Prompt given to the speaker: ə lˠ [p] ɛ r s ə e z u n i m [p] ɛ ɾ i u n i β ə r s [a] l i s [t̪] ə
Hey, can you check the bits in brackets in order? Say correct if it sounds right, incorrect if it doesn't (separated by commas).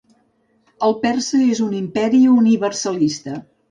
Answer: correct, correct, incorrect, correct